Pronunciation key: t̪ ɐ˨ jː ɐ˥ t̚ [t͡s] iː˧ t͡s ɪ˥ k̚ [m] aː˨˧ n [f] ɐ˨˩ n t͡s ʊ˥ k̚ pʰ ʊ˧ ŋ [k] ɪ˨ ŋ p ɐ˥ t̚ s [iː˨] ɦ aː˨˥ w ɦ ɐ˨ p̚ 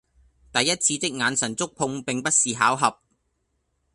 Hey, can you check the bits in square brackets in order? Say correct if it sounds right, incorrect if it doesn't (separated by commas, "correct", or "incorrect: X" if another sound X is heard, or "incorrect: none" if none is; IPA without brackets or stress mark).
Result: incorrect: t͡sʰ, incorrect: ŋ, incorrect: s, incorrect: p, correct